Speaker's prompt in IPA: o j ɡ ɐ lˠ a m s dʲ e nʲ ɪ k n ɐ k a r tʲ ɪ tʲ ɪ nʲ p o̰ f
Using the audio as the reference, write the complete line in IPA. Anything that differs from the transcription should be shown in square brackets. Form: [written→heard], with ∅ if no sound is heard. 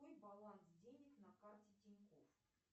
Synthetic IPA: o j [ɡ→b] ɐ lˠ a [m→n] s dʲ e nʲ ɪ k n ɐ k a r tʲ ɪ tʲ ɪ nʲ [p→k] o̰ f